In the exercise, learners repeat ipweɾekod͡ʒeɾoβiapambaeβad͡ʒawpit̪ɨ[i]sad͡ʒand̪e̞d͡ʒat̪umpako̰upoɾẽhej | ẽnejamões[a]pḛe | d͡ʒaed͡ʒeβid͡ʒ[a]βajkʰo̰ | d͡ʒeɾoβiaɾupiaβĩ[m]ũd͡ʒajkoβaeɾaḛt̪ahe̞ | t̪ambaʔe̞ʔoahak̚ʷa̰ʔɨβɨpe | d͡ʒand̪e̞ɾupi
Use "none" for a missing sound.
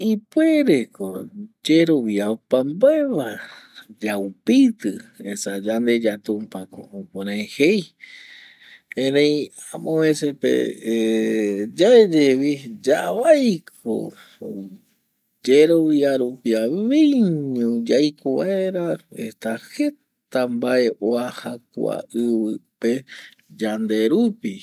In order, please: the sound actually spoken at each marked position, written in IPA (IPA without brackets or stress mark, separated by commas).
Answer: e, e, a, ɲ